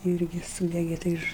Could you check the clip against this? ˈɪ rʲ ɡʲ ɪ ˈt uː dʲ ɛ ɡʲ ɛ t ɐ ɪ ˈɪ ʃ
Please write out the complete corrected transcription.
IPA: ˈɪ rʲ ɡʲ ɪ ˈs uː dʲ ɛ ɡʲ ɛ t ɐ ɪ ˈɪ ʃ

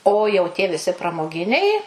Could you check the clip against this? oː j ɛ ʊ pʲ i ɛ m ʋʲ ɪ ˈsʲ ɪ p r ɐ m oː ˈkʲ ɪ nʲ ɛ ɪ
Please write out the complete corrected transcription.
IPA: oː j ɛ ʊ tʲ i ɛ ʋʲ ɪ ˈsʲ ɪ p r ɐ m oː ˈɡʲ ɪ nʲ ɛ ɪ

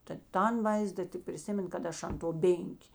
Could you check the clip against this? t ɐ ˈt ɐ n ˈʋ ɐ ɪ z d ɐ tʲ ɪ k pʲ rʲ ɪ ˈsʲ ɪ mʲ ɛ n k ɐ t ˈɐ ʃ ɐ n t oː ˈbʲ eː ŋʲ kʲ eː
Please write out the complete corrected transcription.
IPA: t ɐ ˈt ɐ n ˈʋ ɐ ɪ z d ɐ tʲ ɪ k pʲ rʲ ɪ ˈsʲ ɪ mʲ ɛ n k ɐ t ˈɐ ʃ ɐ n t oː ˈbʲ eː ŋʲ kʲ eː

